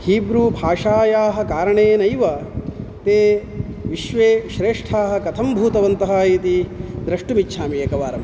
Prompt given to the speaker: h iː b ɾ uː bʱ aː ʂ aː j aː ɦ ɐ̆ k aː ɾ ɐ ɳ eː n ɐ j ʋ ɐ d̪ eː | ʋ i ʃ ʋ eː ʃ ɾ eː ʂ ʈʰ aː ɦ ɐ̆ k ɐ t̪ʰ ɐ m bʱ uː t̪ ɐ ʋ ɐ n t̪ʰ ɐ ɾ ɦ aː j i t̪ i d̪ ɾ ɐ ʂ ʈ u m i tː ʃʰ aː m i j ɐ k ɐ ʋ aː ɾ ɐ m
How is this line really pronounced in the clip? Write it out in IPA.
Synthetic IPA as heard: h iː b ɾ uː bʱ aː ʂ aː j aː ɦ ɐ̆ k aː ɾ ɐ ɳ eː n ɐ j ʋ ɐ t̪ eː | ʋ i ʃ ʋ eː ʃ ɾ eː ʂ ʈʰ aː ɦ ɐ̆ k ɐ t̪ʰ ɐ m bʱ uː t̪ ɐ ʋ ɐ n t̪ ɐ ɦ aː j i t̪ i d̪ ɾ ɐ ʂ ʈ u m i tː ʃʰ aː m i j ɐ k ɐ ʋ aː ɾ ɐ m